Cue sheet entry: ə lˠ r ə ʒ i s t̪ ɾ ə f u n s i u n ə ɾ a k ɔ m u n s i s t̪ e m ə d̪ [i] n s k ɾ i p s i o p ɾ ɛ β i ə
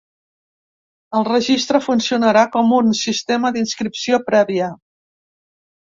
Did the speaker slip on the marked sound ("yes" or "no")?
no